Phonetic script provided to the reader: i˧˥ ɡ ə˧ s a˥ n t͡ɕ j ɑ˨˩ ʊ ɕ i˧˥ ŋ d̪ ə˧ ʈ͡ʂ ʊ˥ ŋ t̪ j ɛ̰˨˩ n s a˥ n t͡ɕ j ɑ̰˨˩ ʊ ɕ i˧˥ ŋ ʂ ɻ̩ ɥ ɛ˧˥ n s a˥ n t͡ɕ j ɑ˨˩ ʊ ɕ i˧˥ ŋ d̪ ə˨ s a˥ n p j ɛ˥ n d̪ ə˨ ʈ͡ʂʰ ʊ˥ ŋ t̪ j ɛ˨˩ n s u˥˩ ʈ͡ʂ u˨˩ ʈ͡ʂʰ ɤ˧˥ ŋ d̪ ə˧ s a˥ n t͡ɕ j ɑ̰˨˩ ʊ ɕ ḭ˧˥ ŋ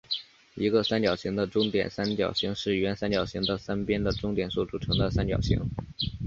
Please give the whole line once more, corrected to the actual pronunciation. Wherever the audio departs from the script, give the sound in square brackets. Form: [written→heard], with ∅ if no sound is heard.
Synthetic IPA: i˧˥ ɡ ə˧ s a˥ n t͡ɕ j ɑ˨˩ ʊ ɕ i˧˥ ŋ d̪ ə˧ ʈ͡ʂ ʊ˥ ŋ t̪ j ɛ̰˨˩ n s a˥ n t͡ɕ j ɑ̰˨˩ ʊ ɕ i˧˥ ŋ ʂ ɻ̩ ɥ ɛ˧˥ n s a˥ n t͡ɕ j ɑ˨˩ ʊ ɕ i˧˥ ŋ d̪ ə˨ s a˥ n p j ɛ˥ n d̪ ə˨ [ʈ͡ʂʰ→ʈ͡ʂ] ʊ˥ ŋ t̪ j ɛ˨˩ n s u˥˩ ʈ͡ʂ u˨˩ ʈ͡ʂʰ ɤ˧˥ ŋ d̪ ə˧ s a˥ n t͡ɕ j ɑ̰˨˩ ʊ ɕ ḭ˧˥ ŋ

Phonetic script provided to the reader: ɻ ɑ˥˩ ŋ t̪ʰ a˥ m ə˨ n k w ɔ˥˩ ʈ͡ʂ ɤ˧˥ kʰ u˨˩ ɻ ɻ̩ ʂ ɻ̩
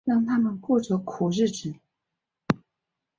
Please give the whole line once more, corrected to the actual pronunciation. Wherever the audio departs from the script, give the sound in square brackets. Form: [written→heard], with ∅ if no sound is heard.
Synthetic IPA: ɻ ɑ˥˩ ŋ t̪ʰ a˥ m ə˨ n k w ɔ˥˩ ʈ͡ʂ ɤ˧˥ kʰ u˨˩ ɻ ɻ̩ [ʂ→ʈ͡ʂ] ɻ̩

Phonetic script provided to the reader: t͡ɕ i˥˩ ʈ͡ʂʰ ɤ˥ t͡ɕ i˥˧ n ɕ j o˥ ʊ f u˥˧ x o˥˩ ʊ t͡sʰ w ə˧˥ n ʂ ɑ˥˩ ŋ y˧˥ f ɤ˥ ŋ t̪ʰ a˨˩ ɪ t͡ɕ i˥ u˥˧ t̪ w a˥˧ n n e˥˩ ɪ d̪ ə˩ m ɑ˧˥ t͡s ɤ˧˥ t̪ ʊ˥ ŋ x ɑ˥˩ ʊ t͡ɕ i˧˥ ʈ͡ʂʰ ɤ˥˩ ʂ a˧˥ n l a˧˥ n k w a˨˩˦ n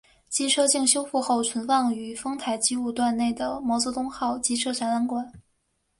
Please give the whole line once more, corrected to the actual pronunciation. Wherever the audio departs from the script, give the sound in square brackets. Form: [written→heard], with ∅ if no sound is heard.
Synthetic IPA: t͡ɕ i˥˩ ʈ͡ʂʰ ɤ˥ t͡ɕ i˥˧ [n→ŋ] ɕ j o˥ ʊ f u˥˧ x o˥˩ ʊ t͡sʰ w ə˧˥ n [ʂ→f] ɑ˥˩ ŋ [y˧˥→y˨˩] f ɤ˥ ŋ t̪ʰ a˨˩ ɪ t͡ɕ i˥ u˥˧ t̪ w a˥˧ n n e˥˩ ɪ d̪ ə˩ m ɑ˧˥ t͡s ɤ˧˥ t̪ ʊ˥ ŋ x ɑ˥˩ ʊ t͡ɕ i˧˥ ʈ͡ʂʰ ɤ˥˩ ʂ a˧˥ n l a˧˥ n k w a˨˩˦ n

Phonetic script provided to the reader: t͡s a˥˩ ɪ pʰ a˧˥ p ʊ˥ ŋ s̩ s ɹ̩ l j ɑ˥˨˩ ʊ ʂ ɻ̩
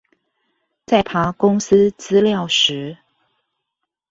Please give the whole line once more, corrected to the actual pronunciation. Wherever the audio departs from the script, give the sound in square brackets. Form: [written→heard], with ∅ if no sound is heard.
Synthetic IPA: t͡s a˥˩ ɪ pʰ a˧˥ [p→k] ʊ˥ ŋ s̩ [s→t͡s] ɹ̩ l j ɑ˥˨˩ ʊ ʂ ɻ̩

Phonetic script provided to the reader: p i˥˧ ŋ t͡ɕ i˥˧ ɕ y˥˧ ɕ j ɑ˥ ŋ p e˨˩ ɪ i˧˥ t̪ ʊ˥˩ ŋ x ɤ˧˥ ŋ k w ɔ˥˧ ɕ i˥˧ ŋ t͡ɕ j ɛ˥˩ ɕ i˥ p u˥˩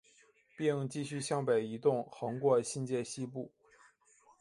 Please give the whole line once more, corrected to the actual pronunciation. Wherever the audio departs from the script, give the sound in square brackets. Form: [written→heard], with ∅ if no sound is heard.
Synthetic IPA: p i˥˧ ŋ t͡ɕ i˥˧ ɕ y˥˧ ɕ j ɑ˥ ŋ p e˨˩ ɪ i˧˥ t̪ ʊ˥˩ ŋ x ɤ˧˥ ŋ k w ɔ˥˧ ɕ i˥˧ [ŋ→n] t͡ɕ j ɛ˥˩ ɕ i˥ p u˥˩

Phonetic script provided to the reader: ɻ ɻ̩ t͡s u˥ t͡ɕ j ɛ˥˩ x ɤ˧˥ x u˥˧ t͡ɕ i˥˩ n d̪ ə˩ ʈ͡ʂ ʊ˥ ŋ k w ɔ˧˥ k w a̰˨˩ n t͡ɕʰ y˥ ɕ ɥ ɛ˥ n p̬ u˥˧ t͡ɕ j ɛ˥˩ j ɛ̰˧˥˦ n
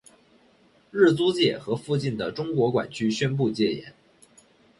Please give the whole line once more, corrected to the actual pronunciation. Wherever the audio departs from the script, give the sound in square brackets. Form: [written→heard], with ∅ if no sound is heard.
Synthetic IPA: ɻ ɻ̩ t͡s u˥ t͡ɕ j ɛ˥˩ x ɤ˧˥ [x→f] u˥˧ t͡ɕ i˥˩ n d̪ ə˩ ʈ͡ʂ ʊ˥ ŋ k w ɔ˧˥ k w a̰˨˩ n t͡ɕʰ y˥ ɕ ɥ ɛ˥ n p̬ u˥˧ t͡ɕ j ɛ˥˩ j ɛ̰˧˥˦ n

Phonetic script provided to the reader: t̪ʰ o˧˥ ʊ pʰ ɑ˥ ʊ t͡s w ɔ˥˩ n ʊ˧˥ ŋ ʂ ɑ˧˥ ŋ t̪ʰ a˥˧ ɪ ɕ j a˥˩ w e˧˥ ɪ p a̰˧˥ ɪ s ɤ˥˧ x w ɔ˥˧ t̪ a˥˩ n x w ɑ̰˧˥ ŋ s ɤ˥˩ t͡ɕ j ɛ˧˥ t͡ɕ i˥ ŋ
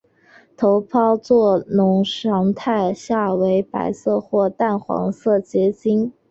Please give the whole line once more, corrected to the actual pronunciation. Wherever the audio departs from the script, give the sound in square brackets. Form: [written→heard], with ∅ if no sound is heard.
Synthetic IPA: t̪ʰ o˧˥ ʊ pʰ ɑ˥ ʊ t͡s w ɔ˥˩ n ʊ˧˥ ŋ ʂ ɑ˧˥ ŋ t̪ʰ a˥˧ ɪ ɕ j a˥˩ w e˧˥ ɪ p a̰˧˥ ɪ s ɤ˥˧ x w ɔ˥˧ t̪ a˥˩ n x w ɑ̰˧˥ ŋ s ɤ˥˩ t͡ɕ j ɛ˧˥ t͡ɕ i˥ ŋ

